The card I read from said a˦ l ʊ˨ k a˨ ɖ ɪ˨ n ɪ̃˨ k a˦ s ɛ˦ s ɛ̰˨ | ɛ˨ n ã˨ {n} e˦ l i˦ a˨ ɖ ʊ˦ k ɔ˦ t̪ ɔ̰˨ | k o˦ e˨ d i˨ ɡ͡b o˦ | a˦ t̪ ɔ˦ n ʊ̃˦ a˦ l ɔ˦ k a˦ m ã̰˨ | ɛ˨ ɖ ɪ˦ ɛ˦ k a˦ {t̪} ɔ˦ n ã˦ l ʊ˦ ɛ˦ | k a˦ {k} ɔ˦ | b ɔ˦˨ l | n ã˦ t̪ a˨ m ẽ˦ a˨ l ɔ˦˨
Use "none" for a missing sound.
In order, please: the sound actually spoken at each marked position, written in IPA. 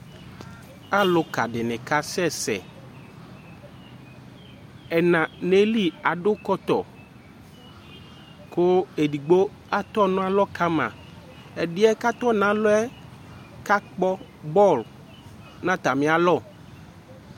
n, t̪, k͡p

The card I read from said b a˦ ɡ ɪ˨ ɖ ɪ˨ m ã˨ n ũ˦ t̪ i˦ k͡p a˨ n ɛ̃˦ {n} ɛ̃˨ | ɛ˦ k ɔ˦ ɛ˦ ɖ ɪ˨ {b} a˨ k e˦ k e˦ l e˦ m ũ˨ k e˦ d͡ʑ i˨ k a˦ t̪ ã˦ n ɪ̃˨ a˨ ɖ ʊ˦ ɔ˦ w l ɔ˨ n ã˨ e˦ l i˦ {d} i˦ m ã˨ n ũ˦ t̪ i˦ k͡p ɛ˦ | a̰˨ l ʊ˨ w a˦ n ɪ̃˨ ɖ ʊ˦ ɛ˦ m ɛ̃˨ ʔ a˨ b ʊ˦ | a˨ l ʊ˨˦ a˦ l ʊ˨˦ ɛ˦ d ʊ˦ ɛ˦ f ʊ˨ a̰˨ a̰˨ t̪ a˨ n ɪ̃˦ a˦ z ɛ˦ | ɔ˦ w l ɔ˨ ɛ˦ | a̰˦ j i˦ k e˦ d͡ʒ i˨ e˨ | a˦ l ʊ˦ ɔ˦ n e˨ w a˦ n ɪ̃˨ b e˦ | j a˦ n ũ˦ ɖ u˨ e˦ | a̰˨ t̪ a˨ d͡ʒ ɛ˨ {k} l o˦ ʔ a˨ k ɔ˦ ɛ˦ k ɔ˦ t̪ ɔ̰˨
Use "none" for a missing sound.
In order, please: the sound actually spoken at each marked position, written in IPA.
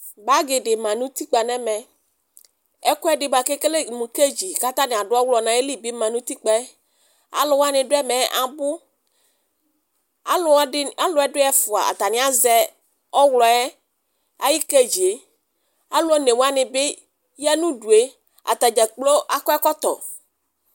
m, b, b, k͡p

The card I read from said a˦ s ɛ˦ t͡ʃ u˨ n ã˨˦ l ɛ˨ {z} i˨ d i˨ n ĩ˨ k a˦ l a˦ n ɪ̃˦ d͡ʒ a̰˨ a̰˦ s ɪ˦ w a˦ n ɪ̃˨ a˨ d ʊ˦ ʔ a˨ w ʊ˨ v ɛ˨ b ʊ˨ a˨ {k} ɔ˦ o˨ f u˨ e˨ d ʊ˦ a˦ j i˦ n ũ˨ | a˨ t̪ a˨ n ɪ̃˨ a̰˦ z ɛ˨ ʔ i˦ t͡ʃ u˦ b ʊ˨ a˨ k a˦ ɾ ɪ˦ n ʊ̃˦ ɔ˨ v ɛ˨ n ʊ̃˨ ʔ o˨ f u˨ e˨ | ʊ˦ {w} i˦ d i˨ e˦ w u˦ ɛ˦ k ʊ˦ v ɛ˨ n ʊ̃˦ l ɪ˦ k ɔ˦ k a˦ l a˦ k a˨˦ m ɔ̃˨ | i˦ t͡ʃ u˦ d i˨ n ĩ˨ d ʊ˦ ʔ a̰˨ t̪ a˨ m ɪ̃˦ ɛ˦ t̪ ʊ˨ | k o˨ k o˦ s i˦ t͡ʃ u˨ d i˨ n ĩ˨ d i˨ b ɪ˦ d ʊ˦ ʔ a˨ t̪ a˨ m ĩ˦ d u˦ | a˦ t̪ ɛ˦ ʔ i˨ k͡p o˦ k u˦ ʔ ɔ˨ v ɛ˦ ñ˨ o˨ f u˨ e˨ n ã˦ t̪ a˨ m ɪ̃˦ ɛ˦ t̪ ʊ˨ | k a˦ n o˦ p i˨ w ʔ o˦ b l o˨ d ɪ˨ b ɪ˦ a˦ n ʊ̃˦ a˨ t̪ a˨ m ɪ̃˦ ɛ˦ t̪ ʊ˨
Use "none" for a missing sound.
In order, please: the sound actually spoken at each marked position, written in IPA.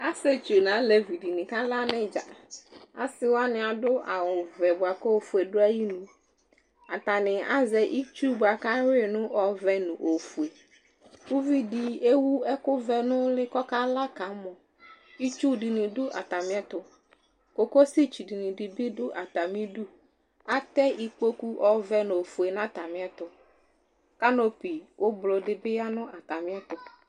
v, k, v

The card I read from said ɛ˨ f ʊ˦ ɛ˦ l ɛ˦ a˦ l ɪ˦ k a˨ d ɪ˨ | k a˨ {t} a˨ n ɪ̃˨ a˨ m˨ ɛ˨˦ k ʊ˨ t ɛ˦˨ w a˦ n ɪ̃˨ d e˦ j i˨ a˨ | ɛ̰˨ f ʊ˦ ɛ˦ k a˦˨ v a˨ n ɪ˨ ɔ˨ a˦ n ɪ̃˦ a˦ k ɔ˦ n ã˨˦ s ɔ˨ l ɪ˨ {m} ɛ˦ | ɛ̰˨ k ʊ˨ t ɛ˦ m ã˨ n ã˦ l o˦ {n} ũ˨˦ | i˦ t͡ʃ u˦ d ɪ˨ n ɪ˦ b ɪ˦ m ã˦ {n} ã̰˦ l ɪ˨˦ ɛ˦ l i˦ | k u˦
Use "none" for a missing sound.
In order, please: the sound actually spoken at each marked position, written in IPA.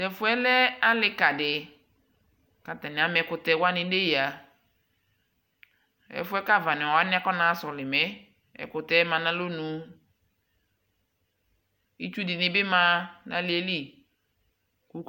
t, m, n, n

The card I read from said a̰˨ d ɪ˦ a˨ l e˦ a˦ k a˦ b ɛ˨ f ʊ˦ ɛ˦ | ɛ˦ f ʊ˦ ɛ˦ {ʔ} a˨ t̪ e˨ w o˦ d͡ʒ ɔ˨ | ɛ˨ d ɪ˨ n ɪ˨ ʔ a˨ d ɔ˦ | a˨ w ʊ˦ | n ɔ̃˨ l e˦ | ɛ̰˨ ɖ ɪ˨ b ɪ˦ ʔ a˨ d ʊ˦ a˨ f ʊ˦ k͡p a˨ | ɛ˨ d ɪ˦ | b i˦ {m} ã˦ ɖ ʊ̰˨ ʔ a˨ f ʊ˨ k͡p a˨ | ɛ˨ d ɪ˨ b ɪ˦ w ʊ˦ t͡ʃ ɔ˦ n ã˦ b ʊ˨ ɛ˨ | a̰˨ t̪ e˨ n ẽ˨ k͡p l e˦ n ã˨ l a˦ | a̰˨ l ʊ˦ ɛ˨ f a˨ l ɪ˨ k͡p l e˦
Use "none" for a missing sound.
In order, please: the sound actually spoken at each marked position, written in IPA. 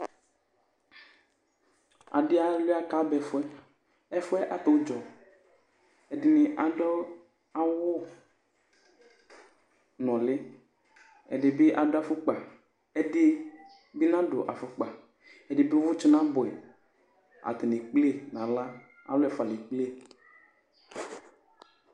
ʔ, n

